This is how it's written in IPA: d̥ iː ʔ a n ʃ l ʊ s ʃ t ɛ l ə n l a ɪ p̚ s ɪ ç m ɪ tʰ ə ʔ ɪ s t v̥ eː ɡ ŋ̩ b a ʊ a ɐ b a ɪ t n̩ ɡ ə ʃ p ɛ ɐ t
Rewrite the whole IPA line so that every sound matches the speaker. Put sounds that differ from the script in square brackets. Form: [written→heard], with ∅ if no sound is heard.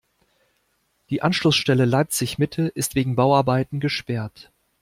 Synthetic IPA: d̥ iː ʔ a n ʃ l ʊ s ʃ t ɛ l ə [n→∅] l a ɪ p̚ [s→t͡s] ɪ ç m ɪ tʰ ə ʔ ɪ s t v̥ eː ɡ ŋ̩ b a ʊ a ɐ b a ɪ t n̩ ɡ ə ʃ p ɛ ɐ t

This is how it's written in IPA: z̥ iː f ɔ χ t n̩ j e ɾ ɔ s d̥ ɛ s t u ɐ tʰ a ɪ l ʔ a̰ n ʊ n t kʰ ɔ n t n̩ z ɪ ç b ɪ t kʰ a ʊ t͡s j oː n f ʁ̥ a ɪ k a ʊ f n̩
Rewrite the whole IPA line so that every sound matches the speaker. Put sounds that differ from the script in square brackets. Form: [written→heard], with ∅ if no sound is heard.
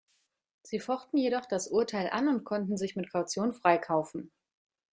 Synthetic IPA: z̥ iː f ɔ χ t n̩ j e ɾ ɔ [s→χ] d̥ [ɛ→a] s [t→ʔ] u ɐ tʰ a ɪ l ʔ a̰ n ʊ n t kʰ ɔ n t n̩ z ɪ ç [b→m] ɪ t kʰ a ʊ t͡s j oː n f ʁ̥ a ɪ [k→kʰ] a ʊ f n̩

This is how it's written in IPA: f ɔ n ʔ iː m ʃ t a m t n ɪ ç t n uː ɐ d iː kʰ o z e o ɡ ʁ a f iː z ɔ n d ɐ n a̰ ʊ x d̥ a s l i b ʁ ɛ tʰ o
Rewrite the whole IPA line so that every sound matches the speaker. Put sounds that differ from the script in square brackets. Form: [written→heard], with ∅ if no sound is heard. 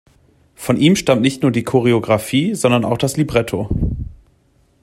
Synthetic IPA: f ɔ n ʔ iː m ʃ t a m t n ɪ ç t n uː ɐ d iː kʰ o [z→ʁ] e o ɡ ʁ a f iː z ɔ n d ɐ n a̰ ʊ x d̥ a s l i b ʁ ɛ tʰ o

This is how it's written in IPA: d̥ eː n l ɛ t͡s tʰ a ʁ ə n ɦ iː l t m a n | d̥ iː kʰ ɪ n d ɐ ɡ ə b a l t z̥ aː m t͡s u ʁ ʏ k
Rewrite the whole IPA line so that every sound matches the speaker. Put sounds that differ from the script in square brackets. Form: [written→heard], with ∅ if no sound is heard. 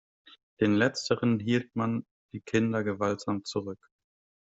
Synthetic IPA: d̥ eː n l ɛ t͡s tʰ [a→ə] ʁ ə n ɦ iː l t m a n | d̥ iː kʰ ɪ n d ɐ ɡ ə [b→v] a l t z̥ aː m t͡s u ʁ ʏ k

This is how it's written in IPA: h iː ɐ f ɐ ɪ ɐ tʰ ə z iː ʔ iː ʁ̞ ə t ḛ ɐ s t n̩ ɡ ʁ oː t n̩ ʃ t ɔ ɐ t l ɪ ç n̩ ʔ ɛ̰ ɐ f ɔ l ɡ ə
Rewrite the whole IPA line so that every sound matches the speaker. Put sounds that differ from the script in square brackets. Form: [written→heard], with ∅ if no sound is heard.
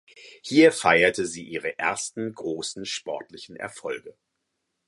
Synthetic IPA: h iː ɐ f [ɐ→a] ɪ ɐ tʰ ə z iː ʔ iː ʁ̞ ə [t→ʔ] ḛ ɐ s t n̩ ɡ ʁ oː [t→s] n̩ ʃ [t→p] ɔ ɐ t l ɪ ç n̩ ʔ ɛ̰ ɐ f ɔ l ɡ ə

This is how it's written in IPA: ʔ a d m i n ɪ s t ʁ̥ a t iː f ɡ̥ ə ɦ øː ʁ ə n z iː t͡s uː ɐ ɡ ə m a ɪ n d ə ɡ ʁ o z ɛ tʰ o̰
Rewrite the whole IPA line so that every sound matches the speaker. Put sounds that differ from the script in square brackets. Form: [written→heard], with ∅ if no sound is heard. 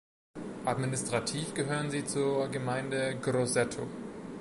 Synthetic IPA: ʔ a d m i n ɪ s t ʁ̥ a [t→tʰ] iː f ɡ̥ ə ɦ øː ʁ ə n z iː t͡s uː ɐ ɡ ə m a ɪ n d ə ɡ ʁ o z ɛ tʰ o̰

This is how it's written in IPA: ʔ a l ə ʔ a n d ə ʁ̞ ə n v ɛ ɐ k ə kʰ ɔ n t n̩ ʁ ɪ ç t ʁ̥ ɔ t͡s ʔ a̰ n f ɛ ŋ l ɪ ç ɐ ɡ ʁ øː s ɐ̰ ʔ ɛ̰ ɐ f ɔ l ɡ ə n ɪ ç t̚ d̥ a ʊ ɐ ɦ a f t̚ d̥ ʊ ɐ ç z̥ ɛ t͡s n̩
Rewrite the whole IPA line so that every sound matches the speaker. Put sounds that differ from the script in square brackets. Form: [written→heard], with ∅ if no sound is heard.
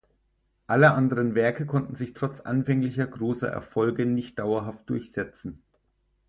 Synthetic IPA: ʔ a l ə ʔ a n d ə ʁ̞ ə n v ɛ ɐ k ə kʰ ɔ n t n̩ [ʁ→z] ɪ ç t ʁ̥ ɔ t͡s ʔ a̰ n f ɛ ŋ l ɪ ç ɐ ɡ ʁ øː s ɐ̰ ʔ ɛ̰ ɐ f ɔ l ɡ ə n ɪ ç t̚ d̥ a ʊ ɐ ɦ a f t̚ d̥ ʊ ɐ ç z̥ ɛ t͡s n̩

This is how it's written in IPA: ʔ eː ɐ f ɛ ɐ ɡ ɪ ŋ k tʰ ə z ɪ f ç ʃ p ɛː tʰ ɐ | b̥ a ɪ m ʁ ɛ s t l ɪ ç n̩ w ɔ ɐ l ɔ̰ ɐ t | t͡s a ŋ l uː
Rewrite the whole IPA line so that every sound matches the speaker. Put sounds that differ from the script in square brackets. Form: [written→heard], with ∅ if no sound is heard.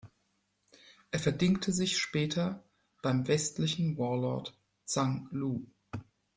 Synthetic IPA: ʔ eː ɐ f ɛ ɐ [ɡ→d] ɪ ŋ k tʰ ə z ɪ [f→∅] ç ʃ p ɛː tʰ ɐ | b̥ a ɪ m [ʁ→v] ɛ s t l ɪ ç n̩ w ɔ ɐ l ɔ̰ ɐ t | t͡s a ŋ l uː

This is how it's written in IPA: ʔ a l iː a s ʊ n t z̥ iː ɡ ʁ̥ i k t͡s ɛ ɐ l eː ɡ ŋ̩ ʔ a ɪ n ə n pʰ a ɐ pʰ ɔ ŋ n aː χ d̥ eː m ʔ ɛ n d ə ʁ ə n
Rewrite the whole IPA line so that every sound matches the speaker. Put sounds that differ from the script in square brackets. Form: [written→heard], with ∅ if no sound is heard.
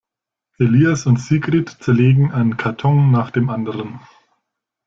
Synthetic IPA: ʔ [a→e] l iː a s ʊ n t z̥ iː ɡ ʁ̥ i [k→t] t͡s ɛ ɐ l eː ɡ ŋ̩ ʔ a ɪ n ə n [pʰ→kʰ] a ɐ [pʰ→tʰ] ɔ ŋ n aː χ d̥ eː m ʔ [ɛ→a] n d ə ʁ ə n

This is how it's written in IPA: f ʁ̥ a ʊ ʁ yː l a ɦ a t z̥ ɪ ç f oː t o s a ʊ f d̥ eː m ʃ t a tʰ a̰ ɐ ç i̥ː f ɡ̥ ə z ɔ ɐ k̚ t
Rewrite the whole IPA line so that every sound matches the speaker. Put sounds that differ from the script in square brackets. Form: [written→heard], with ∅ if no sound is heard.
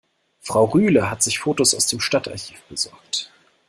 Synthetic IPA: f ʁ̥ a ʊ ʁ yː l [a→ə] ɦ a t z̥ ɪ ç f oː t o s a ʊ [f→s] d̥ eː m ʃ t a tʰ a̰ ɐ ç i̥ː f [ɡ̥→b̥] ə z ɔ ɐ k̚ t

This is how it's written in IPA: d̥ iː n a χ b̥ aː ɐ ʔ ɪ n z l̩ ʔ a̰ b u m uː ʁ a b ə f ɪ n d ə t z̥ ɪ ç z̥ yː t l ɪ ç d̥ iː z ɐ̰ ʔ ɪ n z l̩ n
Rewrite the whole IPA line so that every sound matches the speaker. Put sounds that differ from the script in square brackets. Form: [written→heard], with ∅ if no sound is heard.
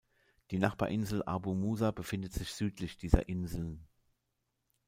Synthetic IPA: d̥ iː n a χ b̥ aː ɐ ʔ ɪ n z l̩ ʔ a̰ b u m uː [ʁ→z] a b ə f ɪ n d ə t z̥ ɪ ç z̥ yː t l ɪ ç d̥ iː z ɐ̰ ʔ ɪ n z l̩ n

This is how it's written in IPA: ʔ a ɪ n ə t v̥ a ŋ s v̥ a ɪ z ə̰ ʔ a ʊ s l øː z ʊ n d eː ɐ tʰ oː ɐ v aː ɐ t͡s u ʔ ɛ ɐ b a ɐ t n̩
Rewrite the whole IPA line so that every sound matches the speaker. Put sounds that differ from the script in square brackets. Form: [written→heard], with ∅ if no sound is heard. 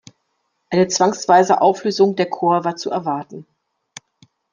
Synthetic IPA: ʔ a ɪ n ə [t→t͡s] v̥ a ŋ s v̥ a ɪ z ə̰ ʔ a ʊ [s→f] l øː z ʊ [n→ŋ] d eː ɐ [tʰ→kʰ] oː ɐ v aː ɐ t͡s u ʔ ɛ ɐ [b→v] a ɐ t n̩

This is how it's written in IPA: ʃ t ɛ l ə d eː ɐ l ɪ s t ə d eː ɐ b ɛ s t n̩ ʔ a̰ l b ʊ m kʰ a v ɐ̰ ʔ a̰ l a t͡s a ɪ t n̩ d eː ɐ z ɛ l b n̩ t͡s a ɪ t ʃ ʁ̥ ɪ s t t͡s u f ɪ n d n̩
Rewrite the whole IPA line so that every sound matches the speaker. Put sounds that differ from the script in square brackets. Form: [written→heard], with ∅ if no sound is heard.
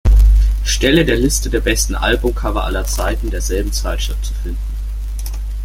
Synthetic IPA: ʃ t ɛ l ə d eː ɐ l ɪ s t ə d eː ɐ b ɛ s t n̩ ʔ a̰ l b ʊ m kʰ a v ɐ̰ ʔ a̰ l [a→ɐ] t͡s a ɪ t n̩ d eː ɐ z ɛ l b [n̩→m̩] t͡s a ɪ t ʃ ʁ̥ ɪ [s→f] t t͡s u f ɪ n d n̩

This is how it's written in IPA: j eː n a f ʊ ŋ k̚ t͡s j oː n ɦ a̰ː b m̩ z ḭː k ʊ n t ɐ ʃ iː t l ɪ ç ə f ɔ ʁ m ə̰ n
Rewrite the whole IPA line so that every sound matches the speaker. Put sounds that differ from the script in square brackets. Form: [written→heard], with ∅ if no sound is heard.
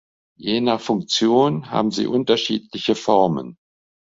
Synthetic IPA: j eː n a f ʊ ŋ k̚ t͡s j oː n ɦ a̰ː b m̩ z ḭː [k→ʔ] ʊ n t ɐ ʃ iː t l ɪ ç ə f ɔ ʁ m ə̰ n

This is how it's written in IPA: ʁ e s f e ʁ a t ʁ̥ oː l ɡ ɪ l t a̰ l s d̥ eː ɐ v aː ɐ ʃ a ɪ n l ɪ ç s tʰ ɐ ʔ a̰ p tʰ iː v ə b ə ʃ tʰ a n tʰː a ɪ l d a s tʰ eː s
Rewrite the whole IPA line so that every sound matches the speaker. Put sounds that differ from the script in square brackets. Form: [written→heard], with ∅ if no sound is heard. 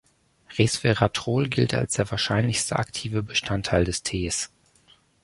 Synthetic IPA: ʁ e s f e ʁ a t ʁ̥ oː l ɡ ɪ l t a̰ l s d̥ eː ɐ v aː ɐ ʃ a ɪ n l ɪ ç s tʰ [ɐ→ə] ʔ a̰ [p→k] tʰ iː v ə b ə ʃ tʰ a n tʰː a ɪ l d [a→ɛ] s tʰ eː s

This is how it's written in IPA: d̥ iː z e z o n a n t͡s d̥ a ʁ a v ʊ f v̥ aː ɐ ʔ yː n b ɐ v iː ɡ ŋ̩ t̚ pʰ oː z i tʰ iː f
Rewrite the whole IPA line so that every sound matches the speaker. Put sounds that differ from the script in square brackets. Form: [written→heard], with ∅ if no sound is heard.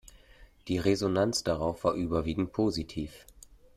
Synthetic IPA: d̥ iː [z→ʁ] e z o n a n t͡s d̥ a ʁ a [v→∅] ʊ f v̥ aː ɐ ʔ yː [n→∅] b ɐ v iː ɡ ŋ̩ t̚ pʰ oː z i tʰ iː f

